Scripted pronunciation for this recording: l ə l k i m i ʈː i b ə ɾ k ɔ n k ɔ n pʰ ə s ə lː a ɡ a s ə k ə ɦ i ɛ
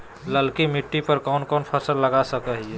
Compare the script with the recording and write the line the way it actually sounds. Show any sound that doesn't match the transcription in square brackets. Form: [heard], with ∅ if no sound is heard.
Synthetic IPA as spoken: l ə l k i m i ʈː i [p] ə ɾ k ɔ n k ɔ n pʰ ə s ə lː [ə] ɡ a s ə k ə ɦ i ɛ

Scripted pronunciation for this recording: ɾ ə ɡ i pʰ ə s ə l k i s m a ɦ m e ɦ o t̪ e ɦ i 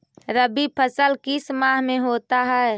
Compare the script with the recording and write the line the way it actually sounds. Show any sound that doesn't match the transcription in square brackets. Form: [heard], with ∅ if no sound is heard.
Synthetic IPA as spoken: ɾ ə [b] i pʰ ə s ə l k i s m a ɦ m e ɦ o t̪ [a] ɦ [ɛ]

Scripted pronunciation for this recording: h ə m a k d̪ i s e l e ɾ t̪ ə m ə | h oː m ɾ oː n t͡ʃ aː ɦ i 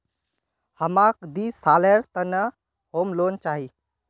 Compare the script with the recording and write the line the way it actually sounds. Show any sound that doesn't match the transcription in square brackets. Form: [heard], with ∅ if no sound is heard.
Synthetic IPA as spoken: h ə m a k d̪ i s [a] l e ɾ t̪ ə [n] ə | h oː m [l] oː n t͡ʃ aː ɦ i

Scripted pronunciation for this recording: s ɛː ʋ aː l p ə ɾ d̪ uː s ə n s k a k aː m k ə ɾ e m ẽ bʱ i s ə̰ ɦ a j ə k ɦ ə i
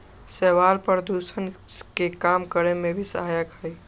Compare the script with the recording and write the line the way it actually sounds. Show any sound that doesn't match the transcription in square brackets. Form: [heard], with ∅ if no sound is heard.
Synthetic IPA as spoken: s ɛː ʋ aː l p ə ɾ d̪ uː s ə n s k [e] k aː m k ə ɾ e m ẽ bʱ i s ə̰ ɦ a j ə k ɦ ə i

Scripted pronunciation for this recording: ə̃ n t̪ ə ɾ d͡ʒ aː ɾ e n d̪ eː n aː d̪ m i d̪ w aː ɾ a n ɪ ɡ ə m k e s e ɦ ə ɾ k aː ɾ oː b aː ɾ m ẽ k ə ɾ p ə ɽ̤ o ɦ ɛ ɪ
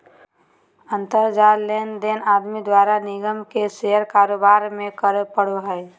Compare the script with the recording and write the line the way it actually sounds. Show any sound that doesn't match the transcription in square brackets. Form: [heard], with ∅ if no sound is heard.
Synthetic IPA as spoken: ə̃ n t̪ ə ɾ d͡ʒ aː [l] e n d̪ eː n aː d̪ m i d̪ w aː ɾ a n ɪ ɡ ə m k e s e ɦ ə ɾ k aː ɾ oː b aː ɾ m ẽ k ə ɾ p ə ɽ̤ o ɦ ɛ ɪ

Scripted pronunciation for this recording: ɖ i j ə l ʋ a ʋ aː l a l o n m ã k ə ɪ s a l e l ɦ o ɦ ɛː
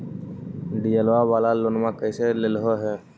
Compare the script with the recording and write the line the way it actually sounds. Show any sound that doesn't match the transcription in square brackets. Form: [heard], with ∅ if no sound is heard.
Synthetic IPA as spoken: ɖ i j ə l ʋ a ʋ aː l a l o n m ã k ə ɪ s [e] l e l ɦ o ɦ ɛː

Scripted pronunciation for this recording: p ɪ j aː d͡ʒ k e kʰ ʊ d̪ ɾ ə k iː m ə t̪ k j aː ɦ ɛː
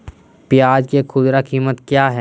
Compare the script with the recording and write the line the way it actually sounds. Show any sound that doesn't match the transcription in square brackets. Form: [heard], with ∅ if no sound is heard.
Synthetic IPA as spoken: p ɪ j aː d͡ʒ k e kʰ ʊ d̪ ɾ [a] k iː m ə t̪ k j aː ɦ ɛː

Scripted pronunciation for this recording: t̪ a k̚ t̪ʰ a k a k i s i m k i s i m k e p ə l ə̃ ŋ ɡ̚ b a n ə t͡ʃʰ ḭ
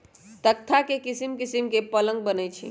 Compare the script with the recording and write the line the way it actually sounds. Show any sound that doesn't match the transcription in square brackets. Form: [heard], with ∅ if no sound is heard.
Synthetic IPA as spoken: t̪ [ə] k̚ t̪ʰ a k [e] k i s i m k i s i m k e p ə l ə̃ ŋ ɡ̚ b [ə] n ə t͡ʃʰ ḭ

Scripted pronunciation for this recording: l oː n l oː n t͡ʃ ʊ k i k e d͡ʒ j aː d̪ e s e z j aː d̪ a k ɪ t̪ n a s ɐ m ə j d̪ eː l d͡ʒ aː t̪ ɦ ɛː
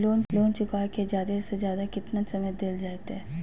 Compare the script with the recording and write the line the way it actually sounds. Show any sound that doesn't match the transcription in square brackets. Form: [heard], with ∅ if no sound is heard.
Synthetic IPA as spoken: l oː n l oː n t͡ʃ ʊ k [a] k e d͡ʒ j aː d̪ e s e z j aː d̪ a k ɪ t̪ n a s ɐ m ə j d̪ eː l d͡ʒ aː t̪ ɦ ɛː

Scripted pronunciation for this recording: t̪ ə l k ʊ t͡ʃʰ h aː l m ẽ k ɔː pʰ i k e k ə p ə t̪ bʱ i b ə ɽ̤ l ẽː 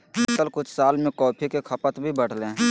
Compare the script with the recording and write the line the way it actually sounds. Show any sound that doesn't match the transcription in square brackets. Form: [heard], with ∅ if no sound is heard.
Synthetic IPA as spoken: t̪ ə l k ʊ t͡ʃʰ [s] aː l m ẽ k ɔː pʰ i k e [kʰ] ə p ə t̪ bʱ i b ə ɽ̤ l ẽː

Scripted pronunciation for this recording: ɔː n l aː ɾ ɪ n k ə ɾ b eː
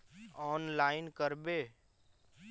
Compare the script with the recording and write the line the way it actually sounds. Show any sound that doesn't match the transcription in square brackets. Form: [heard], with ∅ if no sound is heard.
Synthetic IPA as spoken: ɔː n l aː [∅] ɪ n k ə ɾ b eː

